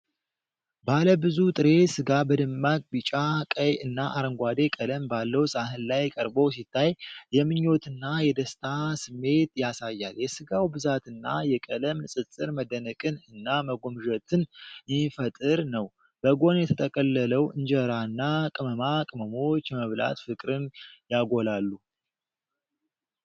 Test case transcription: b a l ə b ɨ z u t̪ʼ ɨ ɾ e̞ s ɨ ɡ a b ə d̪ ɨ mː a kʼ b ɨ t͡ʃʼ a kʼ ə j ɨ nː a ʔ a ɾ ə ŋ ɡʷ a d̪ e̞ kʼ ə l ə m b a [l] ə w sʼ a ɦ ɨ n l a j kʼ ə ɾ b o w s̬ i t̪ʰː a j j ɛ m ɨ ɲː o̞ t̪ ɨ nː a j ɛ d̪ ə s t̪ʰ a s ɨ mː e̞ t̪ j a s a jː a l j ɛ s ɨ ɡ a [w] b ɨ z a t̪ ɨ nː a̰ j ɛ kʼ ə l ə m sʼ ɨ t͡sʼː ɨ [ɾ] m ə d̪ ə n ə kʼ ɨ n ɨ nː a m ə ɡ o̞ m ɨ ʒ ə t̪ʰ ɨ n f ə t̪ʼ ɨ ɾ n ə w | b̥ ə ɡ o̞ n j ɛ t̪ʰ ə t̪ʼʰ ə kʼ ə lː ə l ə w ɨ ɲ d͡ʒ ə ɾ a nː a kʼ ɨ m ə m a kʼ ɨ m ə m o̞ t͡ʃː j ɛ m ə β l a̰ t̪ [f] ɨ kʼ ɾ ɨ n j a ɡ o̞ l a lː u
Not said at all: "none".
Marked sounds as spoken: lː, w, ɾ, f

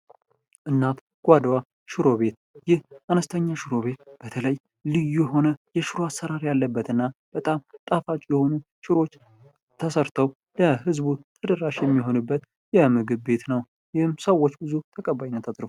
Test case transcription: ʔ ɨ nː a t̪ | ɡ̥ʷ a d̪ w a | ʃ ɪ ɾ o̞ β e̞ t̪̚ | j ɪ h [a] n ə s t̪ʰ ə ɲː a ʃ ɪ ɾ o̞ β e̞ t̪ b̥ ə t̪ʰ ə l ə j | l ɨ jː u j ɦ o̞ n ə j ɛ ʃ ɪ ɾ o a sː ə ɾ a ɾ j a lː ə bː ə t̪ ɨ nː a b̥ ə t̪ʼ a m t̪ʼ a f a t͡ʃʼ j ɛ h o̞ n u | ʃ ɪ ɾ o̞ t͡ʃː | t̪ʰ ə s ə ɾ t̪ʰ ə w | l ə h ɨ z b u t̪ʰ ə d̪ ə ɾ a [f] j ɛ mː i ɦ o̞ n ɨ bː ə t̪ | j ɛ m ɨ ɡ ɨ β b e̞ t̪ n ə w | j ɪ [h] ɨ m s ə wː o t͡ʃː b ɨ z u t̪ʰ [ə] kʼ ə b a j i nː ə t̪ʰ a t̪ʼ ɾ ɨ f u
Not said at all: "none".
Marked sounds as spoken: a, ʃ, h, ə

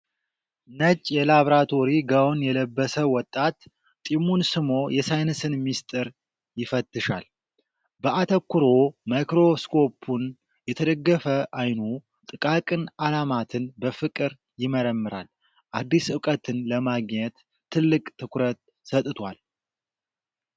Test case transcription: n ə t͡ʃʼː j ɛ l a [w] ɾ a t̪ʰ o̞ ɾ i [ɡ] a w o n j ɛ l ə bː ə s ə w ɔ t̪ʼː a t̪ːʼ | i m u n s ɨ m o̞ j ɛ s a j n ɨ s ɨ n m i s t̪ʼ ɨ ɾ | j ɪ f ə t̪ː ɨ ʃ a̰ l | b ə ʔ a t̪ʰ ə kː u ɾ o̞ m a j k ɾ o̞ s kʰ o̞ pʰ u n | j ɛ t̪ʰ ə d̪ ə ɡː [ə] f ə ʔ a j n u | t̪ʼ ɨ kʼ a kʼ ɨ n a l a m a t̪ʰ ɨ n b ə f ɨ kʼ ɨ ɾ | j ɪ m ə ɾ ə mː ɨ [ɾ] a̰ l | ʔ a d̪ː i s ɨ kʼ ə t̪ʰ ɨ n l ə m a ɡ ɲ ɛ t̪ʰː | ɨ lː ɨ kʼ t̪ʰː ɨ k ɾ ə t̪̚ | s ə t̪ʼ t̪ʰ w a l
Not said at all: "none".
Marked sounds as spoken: β, ɡ, ə, ɾ

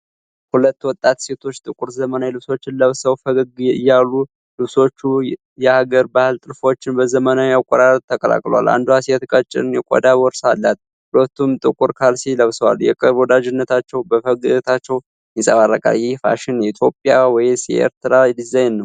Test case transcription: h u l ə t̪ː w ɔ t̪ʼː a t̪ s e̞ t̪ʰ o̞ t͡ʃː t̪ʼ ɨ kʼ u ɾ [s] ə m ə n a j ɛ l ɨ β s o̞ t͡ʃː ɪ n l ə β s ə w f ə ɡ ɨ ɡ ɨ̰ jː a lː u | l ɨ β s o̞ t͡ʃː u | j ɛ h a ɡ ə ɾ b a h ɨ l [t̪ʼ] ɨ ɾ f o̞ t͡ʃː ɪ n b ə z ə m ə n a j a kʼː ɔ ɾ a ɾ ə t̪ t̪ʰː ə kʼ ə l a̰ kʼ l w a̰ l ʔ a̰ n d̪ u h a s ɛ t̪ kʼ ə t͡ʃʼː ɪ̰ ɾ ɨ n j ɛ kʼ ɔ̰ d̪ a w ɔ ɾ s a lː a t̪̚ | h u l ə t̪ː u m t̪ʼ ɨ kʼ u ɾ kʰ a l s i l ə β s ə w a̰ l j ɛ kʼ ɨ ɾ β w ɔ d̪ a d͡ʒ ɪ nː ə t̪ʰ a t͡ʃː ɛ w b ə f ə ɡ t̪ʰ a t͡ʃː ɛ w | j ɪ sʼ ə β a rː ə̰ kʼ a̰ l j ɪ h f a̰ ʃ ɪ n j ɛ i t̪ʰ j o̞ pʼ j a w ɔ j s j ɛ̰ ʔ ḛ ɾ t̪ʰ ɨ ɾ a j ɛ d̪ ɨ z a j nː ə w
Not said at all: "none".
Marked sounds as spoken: z, t̪ʼ

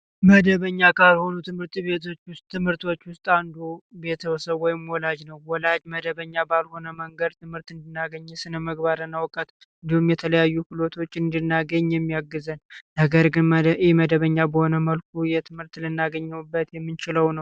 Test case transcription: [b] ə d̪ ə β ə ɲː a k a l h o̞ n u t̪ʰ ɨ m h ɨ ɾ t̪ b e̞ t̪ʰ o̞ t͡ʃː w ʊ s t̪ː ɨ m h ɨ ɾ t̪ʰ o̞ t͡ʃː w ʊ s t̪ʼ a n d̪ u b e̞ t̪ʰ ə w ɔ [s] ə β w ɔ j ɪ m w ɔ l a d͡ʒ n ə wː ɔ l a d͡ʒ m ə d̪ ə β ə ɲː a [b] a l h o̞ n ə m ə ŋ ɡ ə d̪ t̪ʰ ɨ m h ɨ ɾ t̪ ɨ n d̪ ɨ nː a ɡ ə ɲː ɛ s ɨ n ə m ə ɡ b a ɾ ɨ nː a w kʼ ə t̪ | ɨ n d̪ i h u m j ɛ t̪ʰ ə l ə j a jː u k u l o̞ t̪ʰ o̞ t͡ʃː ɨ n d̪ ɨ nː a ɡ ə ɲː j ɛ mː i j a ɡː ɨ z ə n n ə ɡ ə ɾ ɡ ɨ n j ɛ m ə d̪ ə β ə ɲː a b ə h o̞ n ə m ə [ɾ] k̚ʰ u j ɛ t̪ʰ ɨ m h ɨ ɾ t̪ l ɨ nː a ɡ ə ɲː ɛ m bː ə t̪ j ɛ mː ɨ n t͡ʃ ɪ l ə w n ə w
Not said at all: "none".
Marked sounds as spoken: m, s, b, l

